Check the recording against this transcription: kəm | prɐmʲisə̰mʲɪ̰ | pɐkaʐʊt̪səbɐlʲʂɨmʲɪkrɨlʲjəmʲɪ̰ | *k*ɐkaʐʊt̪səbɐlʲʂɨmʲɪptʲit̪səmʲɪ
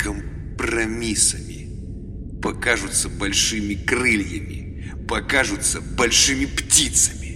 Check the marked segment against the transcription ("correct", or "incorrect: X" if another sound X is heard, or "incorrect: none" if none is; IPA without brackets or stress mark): incorrect: p